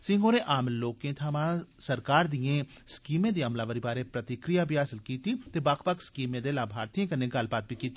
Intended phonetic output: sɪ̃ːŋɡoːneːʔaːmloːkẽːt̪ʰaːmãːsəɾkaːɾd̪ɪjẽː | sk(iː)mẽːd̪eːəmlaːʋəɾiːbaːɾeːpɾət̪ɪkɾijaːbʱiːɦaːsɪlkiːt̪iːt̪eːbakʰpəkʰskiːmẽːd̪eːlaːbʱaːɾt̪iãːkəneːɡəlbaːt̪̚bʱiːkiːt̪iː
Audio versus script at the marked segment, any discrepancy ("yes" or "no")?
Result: no